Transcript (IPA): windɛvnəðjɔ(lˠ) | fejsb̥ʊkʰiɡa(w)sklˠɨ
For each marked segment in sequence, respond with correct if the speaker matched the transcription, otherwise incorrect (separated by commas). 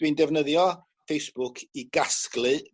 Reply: incorrect, incorrect